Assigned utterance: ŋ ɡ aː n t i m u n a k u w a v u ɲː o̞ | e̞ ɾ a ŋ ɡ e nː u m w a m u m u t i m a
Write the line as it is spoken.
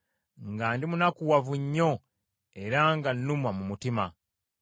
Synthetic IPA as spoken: ŋ ɡ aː n d i m u n a k u w a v u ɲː o̞ | e̞ ɾ a ŋ ɡ a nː u m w a m u m u t i m a